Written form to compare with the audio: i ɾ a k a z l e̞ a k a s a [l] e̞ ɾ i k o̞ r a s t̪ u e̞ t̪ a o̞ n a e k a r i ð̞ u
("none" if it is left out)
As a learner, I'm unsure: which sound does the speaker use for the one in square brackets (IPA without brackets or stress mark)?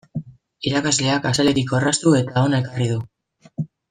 l